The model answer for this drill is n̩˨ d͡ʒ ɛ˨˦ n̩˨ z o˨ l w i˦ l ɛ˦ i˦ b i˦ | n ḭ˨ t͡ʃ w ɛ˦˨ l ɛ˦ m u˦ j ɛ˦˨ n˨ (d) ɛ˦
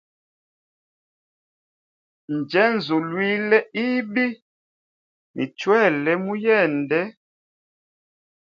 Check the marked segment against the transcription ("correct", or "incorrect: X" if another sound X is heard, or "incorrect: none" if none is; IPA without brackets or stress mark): correct